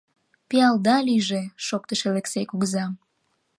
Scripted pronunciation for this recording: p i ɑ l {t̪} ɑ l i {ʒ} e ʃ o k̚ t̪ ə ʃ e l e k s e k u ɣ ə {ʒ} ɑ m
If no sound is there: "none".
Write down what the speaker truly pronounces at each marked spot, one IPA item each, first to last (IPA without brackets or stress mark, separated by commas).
d̪, ʒ, z